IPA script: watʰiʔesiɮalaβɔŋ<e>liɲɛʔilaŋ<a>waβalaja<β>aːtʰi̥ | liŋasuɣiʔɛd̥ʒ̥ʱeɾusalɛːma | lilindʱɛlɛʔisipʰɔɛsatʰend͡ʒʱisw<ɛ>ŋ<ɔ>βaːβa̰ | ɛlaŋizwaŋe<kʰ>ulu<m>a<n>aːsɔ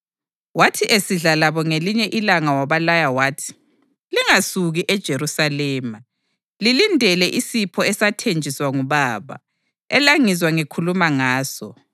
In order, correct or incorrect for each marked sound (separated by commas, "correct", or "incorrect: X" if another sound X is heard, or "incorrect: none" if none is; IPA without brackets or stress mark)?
correct, correct, incorrect: w, incorrect: a, incorrect: u, correct, correct, incorrect: ŋ